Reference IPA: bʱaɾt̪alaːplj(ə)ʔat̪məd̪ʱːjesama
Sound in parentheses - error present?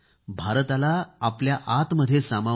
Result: yes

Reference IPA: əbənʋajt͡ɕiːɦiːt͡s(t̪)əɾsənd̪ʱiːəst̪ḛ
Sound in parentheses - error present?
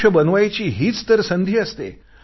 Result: no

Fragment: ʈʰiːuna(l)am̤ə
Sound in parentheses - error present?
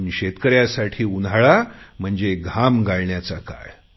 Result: yes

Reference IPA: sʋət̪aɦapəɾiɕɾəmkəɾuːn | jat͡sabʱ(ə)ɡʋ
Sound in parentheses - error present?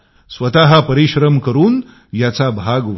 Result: yes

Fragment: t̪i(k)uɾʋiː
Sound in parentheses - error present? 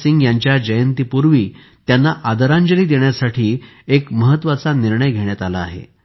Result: yes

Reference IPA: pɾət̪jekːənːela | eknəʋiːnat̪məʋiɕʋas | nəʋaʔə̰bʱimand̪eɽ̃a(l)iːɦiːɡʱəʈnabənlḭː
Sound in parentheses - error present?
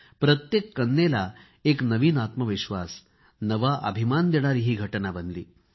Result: yes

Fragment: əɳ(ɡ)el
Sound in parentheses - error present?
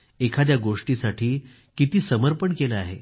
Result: yes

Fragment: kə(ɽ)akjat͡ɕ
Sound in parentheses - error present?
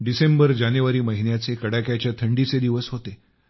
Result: no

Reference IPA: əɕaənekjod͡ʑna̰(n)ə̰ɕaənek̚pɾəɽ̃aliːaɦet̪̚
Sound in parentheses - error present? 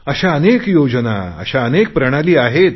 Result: yes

